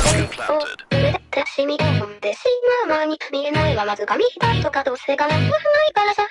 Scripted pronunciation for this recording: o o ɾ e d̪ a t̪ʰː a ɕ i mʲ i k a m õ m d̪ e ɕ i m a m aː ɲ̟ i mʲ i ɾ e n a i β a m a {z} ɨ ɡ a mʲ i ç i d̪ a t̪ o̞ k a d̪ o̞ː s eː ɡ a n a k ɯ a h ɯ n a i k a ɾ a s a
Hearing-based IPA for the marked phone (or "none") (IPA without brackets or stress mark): z